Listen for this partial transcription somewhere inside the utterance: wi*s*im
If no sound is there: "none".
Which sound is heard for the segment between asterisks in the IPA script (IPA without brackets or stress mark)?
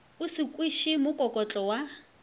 ʃ